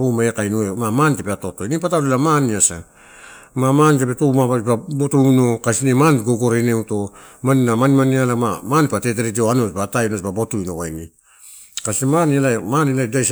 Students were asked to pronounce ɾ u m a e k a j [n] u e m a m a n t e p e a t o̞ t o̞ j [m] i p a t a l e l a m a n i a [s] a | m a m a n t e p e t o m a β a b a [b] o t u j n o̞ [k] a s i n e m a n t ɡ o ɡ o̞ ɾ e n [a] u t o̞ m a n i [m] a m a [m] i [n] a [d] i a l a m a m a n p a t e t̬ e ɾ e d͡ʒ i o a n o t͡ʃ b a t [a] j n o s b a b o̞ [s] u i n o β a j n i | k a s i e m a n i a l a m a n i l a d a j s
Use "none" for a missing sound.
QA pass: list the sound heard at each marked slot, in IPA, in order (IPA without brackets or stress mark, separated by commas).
n, n, s, b, k, e, n, n, m, n, a, t